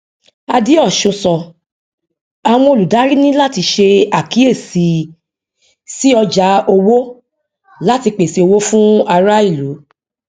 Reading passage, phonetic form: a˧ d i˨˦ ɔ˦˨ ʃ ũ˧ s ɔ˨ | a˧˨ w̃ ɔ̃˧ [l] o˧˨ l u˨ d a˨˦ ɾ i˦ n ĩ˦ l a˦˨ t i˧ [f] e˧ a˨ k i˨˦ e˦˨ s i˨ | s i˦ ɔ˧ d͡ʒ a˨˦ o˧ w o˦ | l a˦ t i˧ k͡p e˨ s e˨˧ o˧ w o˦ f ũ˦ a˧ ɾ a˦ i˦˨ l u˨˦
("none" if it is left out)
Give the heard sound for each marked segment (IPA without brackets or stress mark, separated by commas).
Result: none, ʃ